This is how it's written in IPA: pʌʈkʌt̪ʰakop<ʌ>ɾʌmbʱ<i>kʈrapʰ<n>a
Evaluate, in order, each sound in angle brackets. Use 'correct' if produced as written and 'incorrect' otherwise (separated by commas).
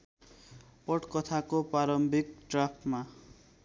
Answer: incorrect, correct, incorrect